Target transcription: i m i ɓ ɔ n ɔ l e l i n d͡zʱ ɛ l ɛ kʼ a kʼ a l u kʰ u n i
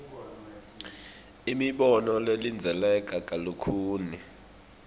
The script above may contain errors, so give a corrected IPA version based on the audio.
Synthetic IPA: i m i ɓ ɔ n ɔ l e l i n d͡zʱ ɛ l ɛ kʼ a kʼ a l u kʰ uː n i